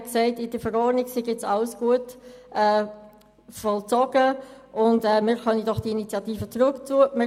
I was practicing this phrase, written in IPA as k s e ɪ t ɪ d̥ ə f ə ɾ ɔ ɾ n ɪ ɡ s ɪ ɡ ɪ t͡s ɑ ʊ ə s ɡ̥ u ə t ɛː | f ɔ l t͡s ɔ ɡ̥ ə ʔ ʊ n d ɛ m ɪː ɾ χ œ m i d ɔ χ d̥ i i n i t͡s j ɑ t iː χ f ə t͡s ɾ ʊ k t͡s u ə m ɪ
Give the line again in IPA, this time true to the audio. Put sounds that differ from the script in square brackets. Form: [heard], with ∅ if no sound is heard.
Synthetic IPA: k s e ɪ t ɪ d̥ ə f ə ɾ ɔ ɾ n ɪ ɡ s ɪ ɡ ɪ t͡s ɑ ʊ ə s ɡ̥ u ə t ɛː | f ɔ l t͡s ɔ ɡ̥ ə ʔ ʊ n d ɛ m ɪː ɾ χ œ [n] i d ɔ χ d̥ i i n i t͡s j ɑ t iː [∅] f ə t͡s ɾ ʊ k t͡s u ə m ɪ